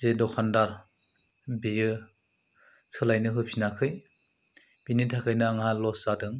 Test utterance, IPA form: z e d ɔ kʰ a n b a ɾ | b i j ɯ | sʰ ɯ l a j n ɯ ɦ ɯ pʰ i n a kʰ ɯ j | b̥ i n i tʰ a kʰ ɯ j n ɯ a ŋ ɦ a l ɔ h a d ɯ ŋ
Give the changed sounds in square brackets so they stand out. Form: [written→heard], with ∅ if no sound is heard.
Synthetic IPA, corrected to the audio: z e d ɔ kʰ a n [b→d] a ɾ | b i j ɯ | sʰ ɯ l a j n ɯ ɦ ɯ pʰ i n a kʰ ɯ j | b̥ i n i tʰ a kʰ ɯ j n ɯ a ŋ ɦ a l ɔ [h→s] a d ɯ ŋ